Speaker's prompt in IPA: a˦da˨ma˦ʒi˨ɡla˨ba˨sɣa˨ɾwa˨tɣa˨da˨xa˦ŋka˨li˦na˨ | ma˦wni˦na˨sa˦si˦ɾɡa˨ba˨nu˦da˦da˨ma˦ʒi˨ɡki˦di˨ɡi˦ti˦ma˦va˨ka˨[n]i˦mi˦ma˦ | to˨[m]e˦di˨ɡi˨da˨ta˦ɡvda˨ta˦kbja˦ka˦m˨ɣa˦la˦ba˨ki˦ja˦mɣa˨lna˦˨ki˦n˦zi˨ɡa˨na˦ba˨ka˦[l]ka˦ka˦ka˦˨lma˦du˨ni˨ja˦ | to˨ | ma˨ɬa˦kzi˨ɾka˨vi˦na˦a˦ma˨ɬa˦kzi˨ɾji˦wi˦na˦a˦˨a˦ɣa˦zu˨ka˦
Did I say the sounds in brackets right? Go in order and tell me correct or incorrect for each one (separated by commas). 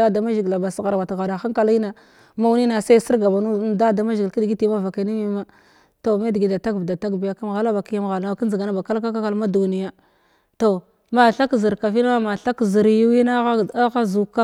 correct, correct, correct